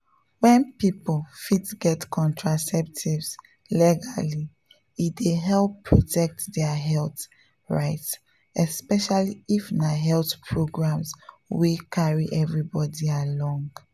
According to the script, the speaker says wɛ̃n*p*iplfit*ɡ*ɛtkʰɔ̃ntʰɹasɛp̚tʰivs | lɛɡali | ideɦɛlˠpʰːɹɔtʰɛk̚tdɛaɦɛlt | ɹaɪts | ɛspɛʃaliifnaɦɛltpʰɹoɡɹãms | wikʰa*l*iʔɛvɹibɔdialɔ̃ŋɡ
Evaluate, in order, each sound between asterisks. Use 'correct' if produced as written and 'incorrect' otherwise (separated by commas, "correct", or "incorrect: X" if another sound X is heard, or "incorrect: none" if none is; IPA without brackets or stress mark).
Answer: correct, correct, incorrect: ɹ